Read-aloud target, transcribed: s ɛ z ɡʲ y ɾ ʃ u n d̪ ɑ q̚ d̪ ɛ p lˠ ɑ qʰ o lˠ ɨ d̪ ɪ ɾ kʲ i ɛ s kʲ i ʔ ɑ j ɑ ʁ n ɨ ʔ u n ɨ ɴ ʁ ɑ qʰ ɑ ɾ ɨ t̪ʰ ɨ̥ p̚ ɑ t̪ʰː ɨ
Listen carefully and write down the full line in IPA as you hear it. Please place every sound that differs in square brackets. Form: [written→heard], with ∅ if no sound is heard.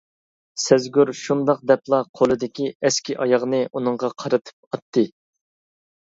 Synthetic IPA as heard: s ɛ z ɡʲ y ɾ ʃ u n d̪ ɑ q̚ d̪ ɛ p lˠ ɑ qʰ o lˠ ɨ d̪ ɪ [ɾ→∅] kʲ i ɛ s kʲ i ʔ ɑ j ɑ ʁ n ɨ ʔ u n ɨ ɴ ʁ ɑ qʰ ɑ ɾ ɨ t̪ʰ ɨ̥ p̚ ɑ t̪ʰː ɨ

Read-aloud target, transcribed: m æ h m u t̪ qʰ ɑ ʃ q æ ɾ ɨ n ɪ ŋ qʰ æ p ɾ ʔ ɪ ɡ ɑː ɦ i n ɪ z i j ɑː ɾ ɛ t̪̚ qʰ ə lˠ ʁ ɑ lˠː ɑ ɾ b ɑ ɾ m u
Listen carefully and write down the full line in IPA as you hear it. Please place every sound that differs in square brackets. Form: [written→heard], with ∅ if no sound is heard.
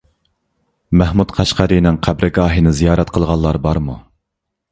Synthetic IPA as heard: m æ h m u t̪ qʰ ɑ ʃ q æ ɾ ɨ n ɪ ŋ qʰ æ [p→b] ɾ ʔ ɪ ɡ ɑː ɦ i n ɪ z i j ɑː ɾ ɛ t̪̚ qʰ ə lˠ ʁ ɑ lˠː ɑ ɾ b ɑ ɾ m u

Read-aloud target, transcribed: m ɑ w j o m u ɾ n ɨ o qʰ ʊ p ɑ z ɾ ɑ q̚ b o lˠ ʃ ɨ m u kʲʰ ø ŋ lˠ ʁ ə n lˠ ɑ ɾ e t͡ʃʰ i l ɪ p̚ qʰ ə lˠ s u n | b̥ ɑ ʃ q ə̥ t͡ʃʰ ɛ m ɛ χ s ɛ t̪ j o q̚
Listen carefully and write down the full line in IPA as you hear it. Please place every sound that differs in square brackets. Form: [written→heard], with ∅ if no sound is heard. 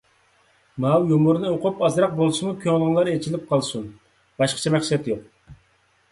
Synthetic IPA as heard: m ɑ w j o m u ɾ n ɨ o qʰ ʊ p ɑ z ɾ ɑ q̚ b o lˠ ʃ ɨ m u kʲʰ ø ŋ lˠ ʁ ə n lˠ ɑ ɾ e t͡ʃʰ i l ɪ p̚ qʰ [ə→ɑ] lˠ s u n | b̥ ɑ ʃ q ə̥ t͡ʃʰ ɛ m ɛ χ s ɛ t̪ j o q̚

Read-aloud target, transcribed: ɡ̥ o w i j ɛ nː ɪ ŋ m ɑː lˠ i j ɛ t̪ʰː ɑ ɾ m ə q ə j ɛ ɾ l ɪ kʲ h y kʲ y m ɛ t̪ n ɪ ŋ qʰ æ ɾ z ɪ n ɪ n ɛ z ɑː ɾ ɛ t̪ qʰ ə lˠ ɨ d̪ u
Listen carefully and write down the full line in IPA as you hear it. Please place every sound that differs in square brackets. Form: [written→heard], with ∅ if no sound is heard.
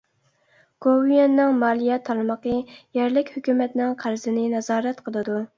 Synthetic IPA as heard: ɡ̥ o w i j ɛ nː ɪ ŋ m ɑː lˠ i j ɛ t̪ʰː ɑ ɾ m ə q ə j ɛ ɾ l ɪ kʲ h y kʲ y m ɛ t̪ n ɪ ŋ qʰ æ ɾ z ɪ n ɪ n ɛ z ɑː ɾ ɛ t̪ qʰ ə lˠ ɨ d̪ u

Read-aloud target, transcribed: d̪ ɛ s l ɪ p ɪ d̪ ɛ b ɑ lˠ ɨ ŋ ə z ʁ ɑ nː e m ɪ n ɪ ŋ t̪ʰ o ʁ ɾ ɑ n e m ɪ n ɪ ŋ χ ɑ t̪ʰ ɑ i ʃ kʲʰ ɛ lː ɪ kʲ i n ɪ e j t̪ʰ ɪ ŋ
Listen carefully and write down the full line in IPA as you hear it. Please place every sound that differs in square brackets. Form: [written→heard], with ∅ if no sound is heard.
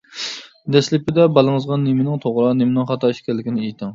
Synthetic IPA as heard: d̪ ɛ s l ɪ p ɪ d̪ ɛ b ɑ lˠ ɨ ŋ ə z ʁ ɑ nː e m ɪ n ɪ ŋ t̪ʰ o ʁ ɾ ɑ n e m ɪ n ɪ ŋ χ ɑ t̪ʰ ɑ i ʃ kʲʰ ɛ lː ɪ kʲ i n ɪ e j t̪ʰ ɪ ŋ

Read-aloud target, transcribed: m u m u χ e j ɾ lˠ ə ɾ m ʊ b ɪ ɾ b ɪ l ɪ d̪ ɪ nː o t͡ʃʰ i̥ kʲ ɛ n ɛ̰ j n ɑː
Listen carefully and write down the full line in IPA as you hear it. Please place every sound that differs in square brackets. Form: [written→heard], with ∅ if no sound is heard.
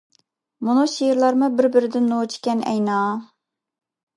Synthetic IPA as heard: m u [m→n] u [χ→ʃ] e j ɾ lˠ [ə→ɑ] ɾ m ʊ b ɪ ɾ b ɪ [l→ɾ] ɪ d̪ ɪ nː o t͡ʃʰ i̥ kʲ ɛ n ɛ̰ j n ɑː

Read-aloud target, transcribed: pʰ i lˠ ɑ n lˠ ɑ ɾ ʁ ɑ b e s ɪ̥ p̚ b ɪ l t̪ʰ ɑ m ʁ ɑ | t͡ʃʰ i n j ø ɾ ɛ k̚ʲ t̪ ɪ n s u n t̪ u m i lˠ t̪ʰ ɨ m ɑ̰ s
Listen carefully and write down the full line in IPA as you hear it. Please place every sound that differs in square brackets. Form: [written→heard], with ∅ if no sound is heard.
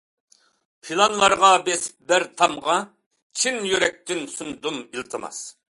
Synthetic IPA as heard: pʰ i lˠ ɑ n lˠ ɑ ɾ ʁ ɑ b e s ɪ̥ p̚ b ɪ [l→ɾ] t̪ʰ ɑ m ʁ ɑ | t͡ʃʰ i n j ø ɾ ɛ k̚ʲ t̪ ɪ n s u n [t̪→d̪] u m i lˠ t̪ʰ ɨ m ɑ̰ s

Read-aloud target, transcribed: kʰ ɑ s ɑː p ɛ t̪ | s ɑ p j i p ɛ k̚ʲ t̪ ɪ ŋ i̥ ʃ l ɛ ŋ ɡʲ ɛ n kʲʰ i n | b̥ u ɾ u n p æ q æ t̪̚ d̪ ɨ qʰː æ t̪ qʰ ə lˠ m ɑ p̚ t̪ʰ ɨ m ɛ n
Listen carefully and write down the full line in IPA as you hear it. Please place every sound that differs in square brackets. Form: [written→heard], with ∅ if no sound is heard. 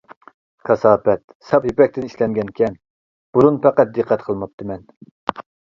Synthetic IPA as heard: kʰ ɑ s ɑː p ɛ t̪ | s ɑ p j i p ɛ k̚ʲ t̪ ɪ [ŋ→n] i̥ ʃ l ɛ ŋ ɡʲ ɛ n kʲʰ [i→ɛ] n | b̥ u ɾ u n p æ q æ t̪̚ d̪ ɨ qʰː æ t̪ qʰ ə lˠ m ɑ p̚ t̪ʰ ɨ m ɛ n

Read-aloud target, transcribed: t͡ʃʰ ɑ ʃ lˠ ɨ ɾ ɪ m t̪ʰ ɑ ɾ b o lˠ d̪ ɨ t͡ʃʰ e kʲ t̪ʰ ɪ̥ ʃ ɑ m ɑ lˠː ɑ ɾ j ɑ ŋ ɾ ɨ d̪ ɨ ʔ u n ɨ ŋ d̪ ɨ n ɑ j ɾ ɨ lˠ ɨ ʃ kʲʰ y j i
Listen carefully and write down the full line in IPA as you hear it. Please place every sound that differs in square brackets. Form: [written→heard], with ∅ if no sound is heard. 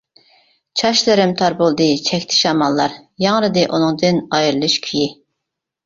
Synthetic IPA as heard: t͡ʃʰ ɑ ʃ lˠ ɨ ɾ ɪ m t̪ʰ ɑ ɾ b o lˠ d̪ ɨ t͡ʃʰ [e→ɛ] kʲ t̪ʰ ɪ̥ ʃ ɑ m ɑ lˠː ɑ ɾ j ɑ ŋ ɾ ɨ d̪ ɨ ʔ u n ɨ ŋ d̪ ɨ n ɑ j ɾ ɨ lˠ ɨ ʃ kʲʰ y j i

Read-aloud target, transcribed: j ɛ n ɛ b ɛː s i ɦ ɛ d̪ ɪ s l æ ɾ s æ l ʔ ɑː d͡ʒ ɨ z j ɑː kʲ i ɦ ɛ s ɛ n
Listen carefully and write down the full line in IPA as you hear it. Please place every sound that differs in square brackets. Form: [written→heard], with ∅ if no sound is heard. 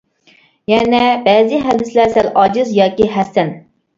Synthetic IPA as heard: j ɛ n ɛ b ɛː [s→z] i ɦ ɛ d̪ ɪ s l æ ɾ s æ l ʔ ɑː d͡ʒ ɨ z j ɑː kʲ i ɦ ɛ s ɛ n

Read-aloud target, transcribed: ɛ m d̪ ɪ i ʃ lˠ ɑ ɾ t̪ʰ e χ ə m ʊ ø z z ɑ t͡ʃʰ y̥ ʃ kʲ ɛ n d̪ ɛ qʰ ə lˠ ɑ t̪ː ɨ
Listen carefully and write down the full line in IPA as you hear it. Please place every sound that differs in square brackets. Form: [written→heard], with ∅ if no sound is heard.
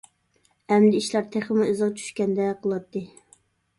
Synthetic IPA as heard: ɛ m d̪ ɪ i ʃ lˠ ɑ ɾ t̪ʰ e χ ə m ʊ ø z [z→ʁ] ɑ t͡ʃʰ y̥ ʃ kʲ ɛ n d̪ ɛ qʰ ə lˠ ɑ t̪ː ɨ

